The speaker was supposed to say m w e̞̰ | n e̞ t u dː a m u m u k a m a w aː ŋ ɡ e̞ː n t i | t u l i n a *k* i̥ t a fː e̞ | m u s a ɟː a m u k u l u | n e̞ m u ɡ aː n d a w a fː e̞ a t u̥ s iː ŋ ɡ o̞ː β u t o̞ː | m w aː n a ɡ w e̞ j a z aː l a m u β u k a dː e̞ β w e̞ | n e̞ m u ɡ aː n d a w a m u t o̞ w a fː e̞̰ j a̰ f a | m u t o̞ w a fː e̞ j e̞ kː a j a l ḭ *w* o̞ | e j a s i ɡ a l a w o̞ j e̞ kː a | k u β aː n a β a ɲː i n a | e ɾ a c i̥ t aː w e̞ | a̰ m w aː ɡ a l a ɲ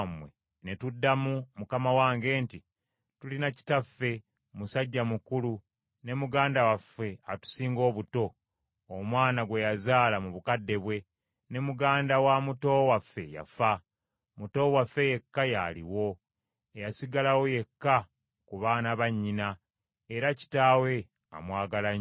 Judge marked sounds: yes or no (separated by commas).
no, yes